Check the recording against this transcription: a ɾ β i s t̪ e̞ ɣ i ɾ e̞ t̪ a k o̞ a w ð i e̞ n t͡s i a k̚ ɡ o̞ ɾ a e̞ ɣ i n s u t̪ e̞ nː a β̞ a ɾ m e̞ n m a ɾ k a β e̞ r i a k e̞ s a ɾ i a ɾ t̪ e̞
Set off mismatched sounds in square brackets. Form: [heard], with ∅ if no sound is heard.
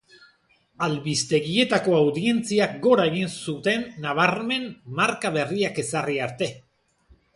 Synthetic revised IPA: a [l] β i s t̪ e̞ ɣ i [∅] e̞ t̪ a k o̞ a w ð i e̞ n t͡s i a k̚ ɡ o̞ ɾ a e̞ ɣ i n s u t̪ e̞ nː a β̞ a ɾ m e̞ n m a ɾ k a β e̞ r i a k e̞ s a [r] i a ɾ t̪ e̞